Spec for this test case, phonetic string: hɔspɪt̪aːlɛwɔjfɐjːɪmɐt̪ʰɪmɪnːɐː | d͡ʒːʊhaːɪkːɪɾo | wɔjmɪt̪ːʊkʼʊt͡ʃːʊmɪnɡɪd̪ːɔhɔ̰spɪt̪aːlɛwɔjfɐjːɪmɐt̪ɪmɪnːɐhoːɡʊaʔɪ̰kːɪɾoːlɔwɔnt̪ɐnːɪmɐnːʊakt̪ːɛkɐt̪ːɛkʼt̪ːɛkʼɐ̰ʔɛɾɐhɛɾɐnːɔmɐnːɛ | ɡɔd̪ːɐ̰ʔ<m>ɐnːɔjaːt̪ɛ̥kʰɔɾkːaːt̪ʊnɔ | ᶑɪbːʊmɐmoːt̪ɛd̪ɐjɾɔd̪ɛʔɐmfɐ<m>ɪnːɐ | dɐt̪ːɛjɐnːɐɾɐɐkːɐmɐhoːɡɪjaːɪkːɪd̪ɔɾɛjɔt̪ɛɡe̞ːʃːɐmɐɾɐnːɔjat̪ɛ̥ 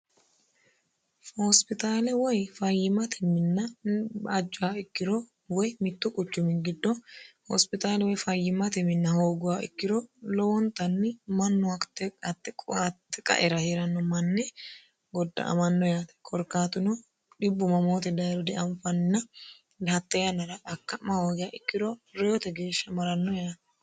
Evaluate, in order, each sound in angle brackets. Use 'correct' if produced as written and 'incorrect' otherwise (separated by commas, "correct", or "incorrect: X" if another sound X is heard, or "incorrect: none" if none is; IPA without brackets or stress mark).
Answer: correct, incorrect: n